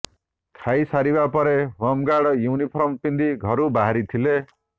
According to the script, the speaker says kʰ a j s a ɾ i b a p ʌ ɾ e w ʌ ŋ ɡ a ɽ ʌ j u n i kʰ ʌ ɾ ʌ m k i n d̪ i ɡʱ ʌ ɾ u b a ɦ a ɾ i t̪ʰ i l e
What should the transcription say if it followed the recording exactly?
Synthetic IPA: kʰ a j s a ɾ i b a p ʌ ɾ e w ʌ m ɡ a ɽ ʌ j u n i pʰ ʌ ɾ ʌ m p i n d̪ i ɡʱ ʌ ɾ u b a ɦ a ɾ i t̪ʰ i l e